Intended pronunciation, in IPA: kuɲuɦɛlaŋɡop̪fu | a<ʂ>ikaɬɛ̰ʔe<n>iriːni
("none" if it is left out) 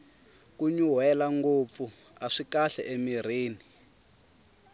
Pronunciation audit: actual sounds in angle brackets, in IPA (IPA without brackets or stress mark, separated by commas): ʂ, m